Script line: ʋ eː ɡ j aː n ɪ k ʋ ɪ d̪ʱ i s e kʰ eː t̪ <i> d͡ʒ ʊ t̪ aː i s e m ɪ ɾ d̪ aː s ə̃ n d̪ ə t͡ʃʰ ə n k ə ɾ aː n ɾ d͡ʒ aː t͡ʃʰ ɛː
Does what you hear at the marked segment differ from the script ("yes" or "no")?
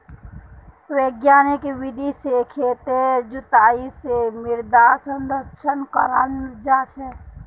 yes